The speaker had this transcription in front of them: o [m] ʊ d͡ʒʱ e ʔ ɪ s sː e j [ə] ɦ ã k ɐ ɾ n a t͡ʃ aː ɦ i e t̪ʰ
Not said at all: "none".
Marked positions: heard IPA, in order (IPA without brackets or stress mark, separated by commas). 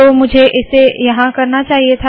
m, ɐ